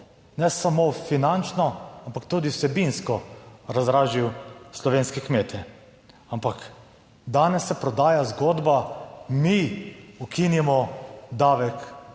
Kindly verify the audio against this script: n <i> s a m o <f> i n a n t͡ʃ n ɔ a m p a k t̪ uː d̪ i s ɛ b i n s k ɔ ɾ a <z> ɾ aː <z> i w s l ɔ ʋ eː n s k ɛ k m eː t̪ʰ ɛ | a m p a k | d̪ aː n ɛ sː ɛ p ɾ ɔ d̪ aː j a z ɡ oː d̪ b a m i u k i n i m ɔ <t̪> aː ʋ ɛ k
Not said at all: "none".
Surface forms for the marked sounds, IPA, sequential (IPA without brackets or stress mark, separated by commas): ɛ, f, z, ʒ, d̪